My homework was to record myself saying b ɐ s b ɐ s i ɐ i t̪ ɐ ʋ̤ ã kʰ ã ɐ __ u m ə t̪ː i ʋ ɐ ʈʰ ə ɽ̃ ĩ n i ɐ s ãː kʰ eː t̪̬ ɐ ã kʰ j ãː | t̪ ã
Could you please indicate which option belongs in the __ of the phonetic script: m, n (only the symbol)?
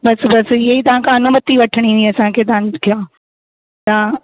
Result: n